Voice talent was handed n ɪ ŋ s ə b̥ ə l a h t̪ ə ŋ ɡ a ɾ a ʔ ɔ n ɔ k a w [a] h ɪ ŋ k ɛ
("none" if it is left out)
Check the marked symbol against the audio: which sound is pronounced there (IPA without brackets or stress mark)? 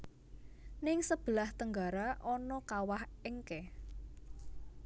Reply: a